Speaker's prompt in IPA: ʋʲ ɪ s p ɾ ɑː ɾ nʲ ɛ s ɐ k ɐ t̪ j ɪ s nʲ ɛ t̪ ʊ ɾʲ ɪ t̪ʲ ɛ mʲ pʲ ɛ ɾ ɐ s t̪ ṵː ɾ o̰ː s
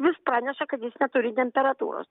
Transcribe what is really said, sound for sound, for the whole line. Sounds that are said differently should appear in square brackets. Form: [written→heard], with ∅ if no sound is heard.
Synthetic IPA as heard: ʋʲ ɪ s p ɾ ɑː [ɾ→∅] nʲ ɛ [s→ʃ] ɐ k ɐ t̪ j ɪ s nʲ ɛ t̪ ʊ ɾʲ ɪ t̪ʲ ɛ mʲ pʲ ɛ ɾ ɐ [s→∅] t̪ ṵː ɾ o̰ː s